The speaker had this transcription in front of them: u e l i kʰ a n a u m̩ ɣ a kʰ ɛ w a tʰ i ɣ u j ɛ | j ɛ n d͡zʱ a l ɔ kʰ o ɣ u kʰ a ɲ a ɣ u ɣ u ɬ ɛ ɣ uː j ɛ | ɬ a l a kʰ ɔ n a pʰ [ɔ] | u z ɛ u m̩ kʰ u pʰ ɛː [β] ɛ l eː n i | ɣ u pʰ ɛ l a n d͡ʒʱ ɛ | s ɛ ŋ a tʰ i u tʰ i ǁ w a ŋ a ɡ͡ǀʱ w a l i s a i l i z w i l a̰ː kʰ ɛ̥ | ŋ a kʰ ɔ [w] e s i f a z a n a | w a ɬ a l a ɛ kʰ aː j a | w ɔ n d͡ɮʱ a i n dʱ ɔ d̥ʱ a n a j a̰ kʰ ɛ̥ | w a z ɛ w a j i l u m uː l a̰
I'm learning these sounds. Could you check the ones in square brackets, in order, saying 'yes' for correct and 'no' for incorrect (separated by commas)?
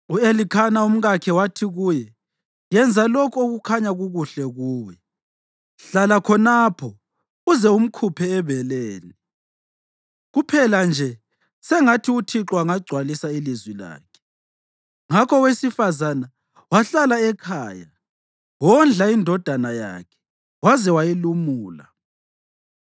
yes, yes, yes